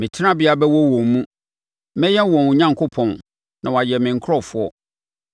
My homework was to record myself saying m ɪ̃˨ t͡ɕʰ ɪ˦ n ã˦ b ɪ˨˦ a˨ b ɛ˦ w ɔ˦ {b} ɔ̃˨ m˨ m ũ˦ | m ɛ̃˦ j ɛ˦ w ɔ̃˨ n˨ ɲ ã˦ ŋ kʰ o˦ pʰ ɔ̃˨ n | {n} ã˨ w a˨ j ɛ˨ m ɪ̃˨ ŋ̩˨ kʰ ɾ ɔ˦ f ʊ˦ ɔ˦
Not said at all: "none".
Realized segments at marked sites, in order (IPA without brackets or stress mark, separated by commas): w, n